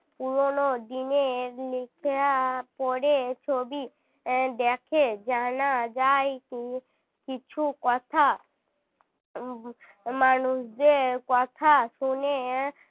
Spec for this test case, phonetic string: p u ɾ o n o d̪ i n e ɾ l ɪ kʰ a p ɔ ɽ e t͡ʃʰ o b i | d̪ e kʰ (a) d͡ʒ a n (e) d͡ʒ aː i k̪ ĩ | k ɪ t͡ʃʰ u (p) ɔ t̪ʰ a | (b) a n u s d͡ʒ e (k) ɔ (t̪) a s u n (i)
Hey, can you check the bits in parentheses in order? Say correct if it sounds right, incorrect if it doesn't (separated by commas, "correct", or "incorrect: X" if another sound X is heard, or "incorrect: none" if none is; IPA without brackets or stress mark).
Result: incorrect: e, incorrect: a, incorrect: k, incorrect: m, correct, incorrect: t̪ʰ, incorrect: e